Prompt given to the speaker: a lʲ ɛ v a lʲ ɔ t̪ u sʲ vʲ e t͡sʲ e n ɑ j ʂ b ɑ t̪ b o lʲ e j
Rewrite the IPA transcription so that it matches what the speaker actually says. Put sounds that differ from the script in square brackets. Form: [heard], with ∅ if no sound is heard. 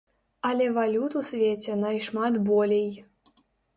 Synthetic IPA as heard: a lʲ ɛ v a lʲ [u] t̪ u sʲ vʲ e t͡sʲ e n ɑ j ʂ [m] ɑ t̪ b o lʲ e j